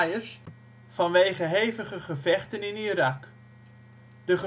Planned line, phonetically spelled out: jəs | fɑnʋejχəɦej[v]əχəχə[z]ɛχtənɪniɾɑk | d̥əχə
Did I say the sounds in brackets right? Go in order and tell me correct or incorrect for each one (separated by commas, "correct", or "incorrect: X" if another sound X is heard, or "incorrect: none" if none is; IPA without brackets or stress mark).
correct, incorrect: v